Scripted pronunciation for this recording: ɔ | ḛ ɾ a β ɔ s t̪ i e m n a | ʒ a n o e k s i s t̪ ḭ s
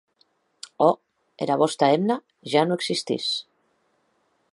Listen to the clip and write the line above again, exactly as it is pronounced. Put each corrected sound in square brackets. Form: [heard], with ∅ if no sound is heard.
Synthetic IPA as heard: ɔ | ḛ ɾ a β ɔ s t̪ [a] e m n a | ʒ a n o e k s i s t̪ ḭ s